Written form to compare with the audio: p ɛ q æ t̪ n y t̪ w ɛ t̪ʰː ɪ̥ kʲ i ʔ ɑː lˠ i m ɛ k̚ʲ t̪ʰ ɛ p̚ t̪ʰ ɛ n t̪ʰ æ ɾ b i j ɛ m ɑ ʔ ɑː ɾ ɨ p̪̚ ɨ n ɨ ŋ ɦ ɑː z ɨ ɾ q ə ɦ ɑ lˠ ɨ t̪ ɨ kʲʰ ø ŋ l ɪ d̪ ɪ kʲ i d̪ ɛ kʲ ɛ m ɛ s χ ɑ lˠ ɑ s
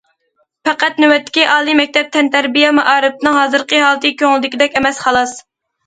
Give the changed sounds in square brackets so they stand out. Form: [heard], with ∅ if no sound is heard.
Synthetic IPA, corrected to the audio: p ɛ q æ t̪ n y [∅] w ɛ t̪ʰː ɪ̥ kʲ i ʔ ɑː lˠ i m ɛ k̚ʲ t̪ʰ ɛ p̚ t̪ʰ ɛ n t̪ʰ æ ɾ b i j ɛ m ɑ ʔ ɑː ɾ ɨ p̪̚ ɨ n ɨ ŋ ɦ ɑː z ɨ ɾ q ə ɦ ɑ lˠ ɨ t̪ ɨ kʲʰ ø ŋ l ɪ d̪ ɪ kʲ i d̪ ɛ kʲ ɛ m ɛ s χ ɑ lˠ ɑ s